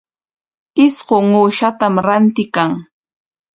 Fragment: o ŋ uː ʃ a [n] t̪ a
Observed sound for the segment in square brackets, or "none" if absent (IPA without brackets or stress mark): none